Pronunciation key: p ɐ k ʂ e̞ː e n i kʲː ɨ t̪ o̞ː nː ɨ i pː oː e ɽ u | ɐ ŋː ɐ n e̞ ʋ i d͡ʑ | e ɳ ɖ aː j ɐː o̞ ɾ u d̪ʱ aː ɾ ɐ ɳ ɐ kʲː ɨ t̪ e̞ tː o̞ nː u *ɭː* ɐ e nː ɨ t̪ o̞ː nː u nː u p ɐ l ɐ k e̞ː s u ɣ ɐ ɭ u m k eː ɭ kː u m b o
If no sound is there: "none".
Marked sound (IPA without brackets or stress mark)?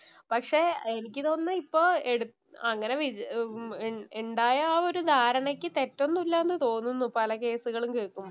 lː